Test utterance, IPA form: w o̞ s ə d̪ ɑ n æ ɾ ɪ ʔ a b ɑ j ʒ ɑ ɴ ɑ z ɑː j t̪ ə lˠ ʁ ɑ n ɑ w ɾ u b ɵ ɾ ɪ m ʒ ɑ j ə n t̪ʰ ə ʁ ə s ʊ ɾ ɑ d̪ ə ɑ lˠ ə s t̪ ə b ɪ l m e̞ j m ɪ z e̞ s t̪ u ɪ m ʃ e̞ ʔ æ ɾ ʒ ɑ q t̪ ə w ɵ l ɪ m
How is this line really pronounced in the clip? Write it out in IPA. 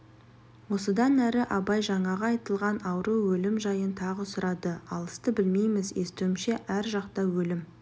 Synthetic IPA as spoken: w o̞ s ə d̪ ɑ n æ ɾ ɪ ʔ ɑ b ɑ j ʒ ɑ ɴ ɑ ʁ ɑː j t̪ ə lˠ ʁ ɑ n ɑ w ɾ u w ɵ l ɪ m ʒ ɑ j ə n t̪ʰ ɑ ʁ ə s ʊ ɾ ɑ d̪ ə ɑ lˠ ə s t̪ ə b ɪ l m e̞ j m ɪ z e̞ s t̪ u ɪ m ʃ e̞ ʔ æ ɾ ʒ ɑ q t̪ ɑ w ɵ l ɪ m